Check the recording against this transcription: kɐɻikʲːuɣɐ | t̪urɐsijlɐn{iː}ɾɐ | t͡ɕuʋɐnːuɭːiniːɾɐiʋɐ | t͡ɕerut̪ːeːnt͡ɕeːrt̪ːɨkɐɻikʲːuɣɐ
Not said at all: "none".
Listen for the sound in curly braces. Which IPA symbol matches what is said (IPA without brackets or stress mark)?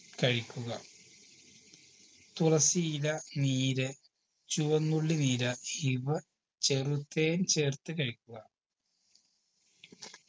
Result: iː